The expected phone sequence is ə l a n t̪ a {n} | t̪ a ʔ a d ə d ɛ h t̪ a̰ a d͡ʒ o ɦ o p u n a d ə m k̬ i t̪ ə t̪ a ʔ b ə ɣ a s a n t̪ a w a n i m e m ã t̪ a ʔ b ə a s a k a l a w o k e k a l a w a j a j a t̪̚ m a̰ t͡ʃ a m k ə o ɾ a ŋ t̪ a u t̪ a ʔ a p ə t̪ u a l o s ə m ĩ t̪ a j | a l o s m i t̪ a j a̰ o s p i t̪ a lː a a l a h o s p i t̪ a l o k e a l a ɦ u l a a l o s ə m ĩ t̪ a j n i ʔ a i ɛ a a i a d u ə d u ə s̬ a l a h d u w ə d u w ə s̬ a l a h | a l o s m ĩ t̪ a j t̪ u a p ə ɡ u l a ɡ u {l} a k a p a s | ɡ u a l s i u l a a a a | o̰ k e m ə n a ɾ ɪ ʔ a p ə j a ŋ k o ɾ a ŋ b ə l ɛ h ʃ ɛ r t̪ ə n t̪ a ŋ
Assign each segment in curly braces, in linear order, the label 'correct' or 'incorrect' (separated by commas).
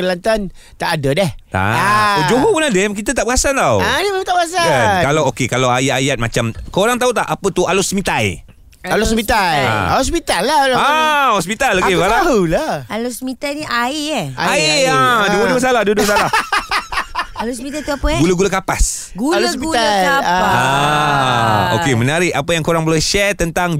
correct, correct